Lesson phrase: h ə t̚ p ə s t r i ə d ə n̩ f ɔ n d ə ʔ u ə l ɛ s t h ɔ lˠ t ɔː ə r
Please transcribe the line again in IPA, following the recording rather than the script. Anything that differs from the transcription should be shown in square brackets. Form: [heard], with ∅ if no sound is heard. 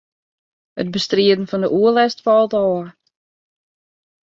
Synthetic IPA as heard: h ə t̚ [b] ə s t r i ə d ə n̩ f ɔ n d ə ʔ u ə l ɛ s t [f] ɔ lˠ t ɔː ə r